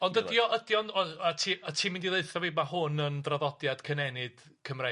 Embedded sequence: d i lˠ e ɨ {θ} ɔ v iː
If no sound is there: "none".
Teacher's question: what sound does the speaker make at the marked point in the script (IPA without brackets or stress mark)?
θ